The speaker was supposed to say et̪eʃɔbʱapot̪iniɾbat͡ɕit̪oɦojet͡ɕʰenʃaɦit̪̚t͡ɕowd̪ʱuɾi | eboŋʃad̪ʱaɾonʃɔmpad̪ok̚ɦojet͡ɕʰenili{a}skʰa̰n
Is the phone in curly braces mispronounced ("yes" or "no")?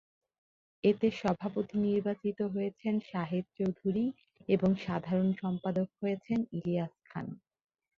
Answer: no